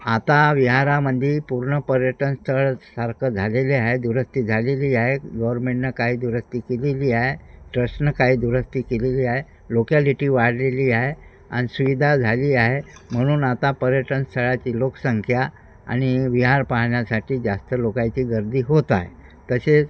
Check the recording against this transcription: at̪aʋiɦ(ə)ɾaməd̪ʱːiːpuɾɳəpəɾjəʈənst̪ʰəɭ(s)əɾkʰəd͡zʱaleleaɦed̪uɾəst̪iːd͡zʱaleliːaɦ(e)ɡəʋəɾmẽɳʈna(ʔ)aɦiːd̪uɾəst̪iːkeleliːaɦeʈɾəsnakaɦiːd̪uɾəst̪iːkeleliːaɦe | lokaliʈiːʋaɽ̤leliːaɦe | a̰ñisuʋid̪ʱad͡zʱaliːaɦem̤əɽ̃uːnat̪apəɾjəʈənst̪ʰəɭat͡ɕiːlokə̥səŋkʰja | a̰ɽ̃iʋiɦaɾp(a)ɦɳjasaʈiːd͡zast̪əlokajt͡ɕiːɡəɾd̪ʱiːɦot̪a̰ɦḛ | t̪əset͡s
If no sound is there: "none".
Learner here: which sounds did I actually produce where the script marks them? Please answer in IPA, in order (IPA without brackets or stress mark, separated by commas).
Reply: a, s, e, k, a